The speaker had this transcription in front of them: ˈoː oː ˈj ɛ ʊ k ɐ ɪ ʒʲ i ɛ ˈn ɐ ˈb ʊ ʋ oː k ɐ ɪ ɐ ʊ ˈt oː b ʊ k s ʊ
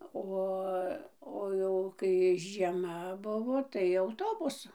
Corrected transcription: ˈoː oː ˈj ɛ ʊ k ɐ ɪ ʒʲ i ɛ ˈm ɐ ˈb ʊ ʋ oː t ɐ ɪ ɐ ʊ ˈt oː b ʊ s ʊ